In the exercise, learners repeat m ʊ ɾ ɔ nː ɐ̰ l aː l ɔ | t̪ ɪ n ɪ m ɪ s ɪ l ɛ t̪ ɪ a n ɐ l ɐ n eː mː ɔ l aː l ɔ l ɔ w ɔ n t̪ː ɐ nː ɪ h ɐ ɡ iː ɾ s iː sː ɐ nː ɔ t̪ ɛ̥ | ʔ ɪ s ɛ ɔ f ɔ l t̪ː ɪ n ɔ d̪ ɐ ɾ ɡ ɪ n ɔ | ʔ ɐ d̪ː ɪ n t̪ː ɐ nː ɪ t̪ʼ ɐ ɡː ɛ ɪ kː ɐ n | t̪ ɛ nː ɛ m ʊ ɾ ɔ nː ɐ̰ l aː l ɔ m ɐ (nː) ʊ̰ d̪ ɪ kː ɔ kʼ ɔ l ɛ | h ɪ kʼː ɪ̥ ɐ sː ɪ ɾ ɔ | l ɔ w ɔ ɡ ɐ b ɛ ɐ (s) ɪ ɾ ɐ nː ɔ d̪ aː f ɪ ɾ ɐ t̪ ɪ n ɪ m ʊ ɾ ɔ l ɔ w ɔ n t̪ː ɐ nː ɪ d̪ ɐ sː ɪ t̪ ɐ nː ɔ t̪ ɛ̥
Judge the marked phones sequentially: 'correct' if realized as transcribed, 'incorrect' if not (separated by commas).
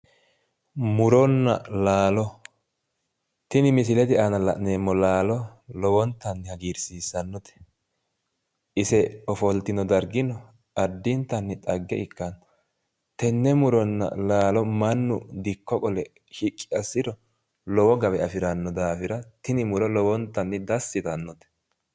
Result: correct, incorrect